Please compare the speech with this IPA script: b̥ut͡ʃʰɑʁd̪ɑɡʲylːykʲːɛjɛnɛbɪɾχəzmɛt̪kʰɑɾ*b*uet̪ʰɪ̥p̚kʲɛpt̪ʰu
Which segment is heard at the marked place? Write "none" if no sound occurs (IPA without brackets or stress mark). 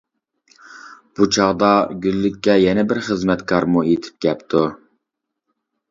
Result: m